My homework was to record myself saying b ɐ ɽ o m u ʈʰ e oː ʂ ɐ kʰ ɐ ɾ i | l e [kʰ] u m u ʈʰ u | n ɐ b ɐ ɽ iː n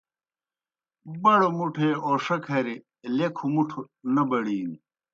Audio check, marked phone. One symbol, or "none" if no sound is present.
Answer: kʰ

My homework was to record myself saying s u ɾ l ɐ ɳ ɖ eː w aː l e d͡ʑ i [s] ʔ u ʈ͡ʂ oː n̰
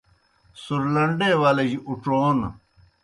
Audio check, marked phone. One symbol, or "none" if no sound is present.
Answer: none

